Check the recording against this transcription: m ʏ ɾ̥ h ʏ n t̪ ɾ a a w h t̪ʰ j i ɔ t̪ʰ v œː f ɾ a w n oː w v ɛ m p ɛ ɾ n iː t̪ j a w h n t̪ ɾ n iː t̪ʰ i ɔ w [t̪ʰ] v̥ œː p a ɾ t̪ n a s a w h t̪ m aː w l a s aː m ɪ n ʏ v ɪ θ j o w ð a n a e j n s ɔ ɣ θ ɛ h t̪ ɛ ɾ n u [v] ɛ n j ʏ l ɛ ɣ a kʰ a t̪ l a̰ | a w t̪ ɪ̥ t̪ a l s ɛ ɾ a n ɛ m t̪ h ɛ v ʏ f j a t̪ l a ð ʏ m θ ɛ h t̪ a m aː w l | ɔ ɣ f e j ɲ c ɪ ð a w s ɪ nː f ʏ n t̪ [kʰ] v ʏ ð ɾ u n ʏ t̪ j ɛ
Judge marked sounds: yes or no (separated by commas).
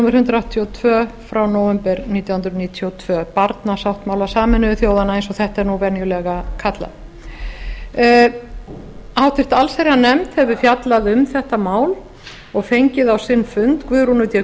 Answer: yes, yes, no